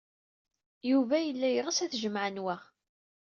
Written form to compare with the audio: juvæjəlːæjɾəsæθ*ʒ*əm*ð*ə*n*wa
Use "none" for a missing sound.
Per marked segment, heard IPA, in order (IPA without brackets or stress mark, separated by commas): ʒ, ʕ, n